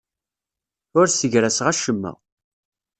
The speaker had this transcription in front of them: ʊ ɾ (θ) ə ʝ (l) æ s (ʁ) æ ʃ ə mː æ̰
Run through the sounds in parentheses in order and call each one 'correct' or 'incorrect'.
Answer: incorrect, incorrect, correct

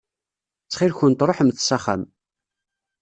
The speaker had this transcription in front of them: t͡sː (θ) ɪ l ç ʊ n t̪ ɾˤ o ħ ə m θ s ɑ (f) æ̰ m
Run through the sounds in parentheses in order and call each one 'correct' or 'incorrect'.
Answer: incorrect, incorrect

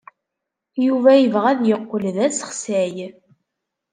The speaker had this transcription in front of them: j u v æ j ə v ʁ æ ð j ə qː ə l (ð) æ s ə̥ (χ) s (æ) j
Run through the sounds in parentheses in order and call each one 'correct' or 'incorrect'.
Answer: correct, correct, correct

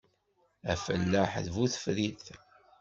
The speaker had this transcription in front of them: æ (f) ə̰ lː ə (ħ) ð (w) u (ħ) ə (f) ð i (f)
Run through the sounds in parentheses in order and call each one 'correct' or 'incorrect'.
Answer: correct, correct, incorrect, incorrect, correct, incorrect

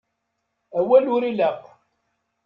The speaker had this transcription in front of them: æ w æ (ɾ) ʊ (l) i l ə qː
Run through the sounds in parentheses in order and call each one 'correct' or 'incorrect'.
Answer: incorrect, incorrect

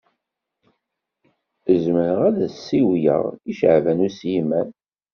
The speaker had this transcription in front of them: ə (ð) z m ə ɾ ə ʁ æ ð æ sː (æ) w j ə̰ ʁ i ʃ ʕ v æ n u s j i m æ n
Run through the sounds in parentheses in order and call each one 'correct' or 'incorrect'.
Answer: incorrect, incorrect

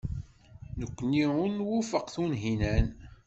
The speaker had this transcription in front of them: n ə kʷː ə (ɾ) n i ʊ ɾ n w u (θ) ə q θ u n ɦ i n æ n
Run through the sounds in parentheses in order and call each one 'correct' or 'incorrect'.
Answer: incorrect, incorrect

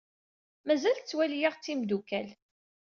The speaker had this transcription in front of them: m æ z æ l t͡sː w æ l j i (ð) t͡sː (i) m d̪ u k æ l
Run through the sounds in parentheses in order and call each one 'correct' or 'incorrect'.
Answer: incorrect, correct

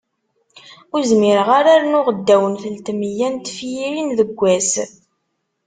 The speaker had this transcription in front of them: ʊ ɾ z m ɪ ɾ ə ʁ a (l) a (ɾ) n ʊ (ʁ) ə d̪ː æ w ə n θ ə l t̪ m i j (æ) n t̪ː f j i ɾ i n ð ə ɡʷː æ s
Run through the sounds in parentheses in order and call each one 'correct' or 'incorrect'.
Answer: incorrect, correct, correct, correct

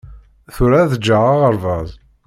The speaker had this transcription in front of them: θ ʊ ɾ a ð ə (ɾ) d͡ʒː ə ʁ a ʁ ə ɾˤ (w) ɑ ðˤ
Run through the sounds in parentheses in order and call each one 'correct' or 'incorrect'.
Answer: incorrect, incorrect

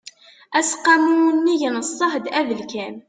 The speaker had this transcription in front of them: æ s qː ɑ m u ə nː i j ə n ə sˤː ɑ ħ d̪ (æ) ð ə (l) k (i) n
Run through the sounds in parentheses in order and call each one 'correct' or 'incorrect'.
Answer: correct, correct, incorrect

